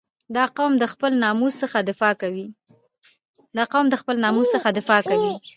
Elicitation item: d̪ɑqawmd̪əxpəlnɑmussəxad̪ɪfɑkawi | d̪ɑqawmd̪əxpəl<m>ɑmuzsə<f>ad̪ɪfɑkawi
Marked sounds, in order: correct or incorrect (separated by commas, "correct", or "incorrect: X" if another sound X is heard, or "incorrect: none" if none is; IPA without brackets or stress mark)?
incorrect: n, incorrect: x